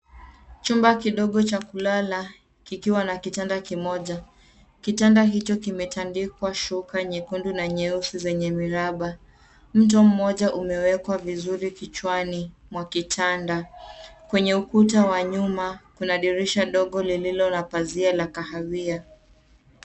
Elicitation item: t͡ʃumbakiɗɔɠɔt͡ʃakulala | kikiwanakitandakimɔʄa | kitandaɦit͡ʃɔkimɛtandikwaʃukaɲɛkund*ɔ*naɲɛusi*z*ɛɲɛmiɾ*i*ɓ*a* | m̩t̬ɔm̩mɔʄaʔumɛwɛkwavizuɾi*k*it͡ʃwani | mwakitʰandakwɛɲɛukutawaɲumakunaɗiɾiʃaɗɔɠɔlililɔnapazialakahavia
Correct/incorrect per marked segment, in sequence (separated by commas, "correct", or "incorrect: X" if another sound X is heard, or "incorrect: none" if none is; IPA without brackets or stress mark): incorrect: u, correct, incorrect: a, correct, correct